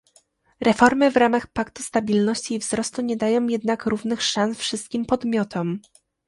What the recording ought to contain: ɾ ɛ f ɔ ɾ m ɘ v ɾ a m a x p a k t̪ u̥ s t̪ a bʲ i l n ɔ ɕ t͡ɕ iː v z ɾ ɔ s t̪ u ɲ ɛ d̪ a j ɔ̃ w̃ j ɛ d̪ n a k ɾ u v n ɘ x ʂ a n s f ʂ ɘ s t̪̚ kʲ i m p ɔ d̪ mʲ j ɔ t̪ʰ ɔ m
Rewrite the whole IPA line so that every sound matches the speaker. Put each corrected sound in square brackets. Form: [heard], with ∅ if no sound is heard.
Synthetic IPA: ɾ ɛ f ɔ ɾ m ɘ v ɾ a m a x p a k t̪ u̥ s t̪ a bʲ i l n ɔ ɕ t͡ɕ iː v z ɾ ɔ s t̪ u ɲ ɛ d̪ a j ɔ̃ w̃ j ɛ d̪ n a k ɾ u v n ɘ x ʂ a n s f ʂ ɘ s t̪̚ kʲ i m p ɔ d̪ mʲ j ɔ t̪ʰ ɔ m